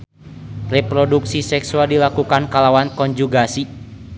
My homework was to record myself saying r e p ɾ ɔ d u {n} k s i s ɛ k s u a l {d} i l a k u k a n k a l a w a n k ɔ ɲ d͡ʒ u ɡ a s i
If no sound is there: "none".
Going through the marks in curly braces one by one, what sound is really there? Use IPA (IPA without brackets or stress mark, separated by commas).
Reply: none, d